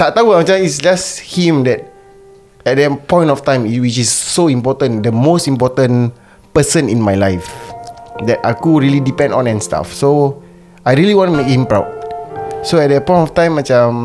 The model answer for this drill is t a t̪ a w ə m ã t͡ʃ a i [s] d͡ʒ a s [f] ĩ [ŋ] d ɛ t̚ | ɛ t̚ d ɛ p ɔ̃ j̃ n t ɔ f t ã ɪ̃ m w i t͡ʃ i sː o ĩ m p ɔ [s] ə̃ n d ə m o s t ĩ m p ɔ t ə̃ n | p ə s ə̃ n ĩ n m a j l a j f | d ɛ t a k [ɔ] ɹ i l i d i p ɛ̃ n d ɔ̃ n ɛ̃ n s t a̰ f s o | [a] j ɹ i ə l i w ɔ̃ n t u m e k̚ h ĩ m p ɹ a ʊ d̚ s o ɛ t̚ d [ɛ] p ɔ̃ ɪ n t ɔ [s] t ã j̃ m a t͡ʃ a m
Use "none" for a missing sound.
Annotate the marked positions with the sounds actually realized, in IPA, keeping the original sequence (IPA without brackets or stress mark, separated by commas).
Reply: s, h, m, t, u, a, ɛ, f